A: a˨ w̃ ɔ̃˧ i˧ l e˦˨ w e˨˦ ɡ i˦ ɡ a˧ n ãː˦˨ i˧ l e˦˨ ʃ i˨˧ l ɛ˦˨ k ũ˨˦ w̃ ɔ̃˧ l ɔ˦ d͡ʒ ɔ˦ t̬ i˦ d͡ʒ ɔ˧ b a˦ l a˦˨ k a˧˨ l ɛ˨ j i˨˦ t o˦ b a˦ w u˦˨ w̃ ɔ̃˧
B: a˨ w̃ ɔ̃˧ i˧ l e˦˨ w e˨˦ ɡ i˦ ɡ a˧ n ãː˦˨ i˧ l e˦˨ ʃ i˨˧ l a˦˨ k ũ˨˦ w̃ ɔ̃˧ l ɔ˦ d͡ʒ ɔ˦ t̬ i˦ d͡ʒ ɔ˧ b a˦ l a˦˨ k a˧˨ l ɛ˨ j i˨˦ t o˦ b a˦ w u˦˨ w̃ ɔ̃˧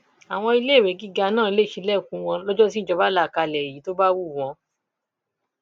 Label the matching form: A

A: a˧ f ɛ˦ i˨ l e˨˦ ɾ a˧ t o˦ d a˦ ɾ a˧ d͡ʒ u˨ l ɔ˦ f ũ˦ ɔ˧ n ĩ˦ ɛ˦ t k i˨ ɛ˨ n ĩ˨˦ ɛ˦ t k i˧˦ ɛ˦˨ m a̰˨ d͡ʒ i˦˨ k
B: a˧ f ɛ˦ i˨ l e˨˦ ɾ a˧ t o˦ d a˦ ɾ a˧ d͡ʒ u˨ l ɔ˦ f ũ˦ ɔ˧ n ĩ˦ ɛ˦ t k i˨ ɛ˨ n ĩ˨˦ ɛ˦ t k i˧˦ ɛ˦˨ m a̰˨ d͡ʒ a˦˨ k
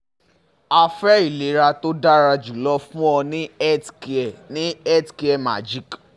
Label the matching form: A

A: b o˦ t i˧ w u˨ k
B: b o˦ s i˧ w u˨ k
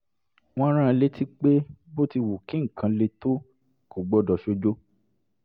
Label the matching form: A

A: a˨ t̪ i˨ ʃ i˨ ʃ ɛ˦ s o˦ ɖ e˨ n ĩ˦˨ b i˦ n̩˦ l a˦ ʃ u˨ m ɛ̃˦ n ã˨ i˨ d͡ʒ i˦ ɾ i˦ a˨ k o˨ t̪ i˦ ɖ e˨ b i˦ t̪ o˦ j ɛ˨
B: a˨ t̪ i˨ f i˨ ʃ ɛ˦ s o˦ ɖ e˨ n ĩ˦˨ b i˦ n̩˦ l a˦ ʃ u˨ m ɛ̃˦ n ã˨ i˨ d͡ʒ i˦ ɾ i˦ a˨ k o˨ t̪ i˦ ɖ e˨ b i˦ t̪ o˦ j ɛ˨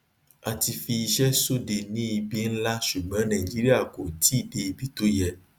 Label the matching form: B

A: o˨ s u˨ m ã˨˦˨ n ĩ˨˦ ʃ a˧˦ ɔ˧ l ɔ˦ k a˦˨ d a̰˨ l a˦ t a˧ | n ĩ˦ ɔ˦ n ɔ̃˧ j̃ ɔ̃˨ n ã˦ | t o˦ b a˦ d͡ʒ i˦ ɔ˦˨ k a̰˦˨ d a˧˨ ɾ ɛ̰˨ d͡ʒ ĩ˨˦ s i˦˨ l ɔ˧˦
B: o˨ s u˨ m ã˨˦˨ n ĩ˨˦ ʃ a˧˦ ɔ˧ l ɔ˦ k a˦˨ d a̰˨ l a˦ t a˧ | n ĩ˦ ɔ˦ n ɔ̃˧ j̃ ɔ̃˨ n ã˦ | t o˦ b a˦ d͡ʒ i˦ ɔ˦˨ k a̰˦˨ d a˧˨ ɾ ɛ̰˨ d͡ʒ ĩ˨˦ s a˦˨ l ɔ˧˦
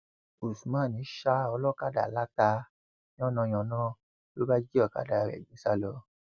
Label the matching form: B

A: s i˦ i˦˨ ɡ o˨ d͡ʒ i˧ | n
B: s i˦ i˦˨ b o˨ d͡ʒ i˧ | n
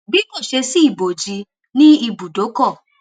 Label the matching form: B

